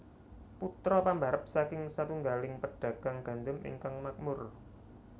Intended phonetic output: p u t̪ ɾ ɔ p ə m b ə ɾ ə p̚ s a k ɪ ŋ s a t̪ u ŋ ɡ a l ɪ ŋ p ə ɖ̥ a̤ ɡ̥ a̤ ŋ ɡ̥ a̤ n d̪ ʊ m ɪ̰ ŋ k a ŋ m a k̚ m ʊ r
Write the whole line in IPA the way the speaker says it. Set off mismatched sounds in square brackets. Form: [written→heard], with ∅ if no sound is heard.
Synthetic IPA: p u t̪ ɾ ɔ p [ə→a] m b [ə→a] ɾ ə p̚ s a k ɪ ŋ s a t̪ u ŋ ɡ a l ɪ ŋ p ə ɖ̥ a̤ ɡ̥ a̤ ŋ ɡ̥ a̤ n d̪ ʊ m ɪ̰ ŋ k a ŋ m a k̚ m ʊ r